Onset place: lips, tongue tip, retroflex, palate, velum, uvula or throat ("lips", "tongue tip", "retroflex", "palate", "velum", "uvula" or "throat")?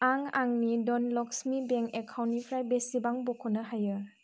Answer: velum